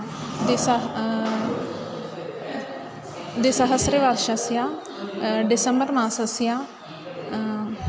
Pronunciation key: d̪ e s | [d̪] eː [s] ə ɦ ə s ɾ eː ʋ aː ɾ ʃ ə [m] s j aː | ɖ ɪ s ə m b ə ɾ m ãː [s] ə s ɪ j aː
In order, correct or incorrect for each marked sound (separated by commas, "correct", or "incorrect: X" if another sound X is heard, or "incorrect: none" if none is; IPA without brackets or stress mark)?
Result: correct, correct, incorrect: none, correct